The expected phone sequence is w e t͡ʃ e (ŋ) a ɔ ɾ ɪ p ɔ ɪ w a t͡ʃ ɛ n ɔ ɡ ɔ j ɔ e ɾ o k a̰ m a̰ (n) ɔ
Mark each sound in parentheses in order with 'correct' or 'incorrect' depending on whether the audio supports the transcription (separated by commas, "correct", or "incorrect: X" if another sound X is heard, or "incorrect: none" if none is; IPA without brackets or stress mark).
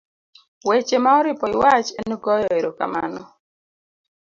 incorrect: m, correct